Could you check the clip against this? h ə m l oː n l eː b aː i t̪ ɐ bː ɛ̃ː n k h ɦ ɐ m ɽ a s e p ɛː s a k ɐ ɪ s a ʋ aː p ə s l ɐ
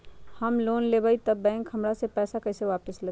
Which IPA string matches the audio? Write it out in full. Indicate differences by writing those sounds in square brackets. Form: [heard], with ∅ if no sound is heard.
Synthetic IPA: h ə m l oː n l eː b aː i t̪ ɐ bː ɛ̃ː [ŋ] k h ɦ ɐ m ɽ a s e p ɛː s a k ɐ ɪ s [e] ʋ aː p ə s l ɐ